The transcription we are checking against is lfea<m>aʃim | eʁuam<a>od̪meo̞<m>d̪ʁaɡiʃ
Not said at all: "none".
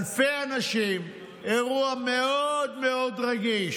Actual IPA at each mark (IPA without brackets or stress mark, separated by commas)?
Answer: n, e, none